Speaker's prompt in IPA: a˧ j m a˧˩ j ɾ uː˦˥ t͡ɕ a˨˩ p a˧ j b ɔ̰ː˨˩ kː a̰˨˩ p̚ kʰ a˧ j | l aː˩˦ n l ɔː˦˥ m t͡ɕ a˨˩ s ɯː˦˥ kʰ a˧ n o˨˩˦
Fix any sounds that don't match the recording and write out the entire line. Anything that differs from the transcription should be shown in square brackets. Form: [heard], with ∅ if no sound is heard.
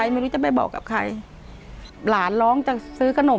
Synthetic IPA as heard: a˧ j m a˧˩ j ɾ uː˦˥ t͡ɕ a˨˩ p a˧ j b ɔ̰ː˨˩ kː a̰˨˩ p̚ kʰ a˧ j | l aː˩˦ n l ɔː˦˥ [ŋ] t͡ɕ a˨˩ s ɯː˦˥ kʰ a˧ n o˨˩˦